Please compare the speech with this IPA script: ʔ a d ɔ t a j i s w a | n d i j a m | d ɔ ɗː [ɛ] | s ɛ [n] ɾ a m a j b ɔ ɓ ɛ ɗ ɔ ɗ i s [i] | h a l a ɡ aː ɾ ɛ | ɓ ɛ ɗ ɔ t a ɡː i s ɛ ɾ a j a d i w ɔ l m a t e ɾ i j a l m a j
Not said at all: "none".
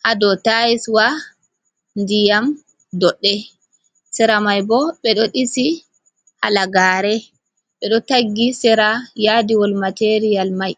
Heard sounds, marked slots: ɛ, none, i

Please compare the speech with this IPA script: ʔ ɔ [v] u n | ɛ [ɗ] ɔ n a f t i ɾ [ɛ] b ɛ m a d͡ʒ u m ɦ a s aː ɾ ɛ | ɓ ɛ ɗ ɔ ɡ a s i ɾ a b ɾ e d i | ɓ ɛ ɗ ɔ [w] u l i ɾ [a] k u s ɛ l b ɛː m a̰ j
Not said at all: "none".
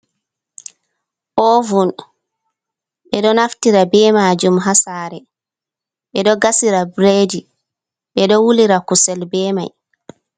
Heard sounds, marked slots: v, ɗ, a, w, a

